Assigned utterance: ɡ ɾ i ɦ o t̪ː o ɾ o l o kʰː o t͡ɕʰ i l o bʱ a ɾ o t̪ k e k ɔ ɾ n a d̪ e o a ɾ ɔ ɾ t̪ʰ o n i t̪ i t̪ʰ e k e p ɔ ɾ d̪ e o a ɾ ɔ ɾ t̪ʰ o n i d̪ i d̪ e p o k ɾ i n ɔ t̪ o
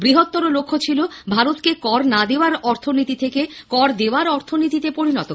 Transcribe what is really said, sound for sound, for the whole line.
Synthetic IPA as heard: b ɾ i ɦ o t̪ː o ɾ o l o kʰː o t͡ɕʰ i l o bʱ a ɾ o t̪ k e k ɔ ɾ n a d̪ e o a ɾ ɔ ɾ t̪ʰ o n i t̪ i t̪ʰ e k e k ɔ ɾ d̪ e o a ɾ ɔ ɾ t̪ʰ o n i t̪ i t̪ e p o ɾ i n ɔ t̪ o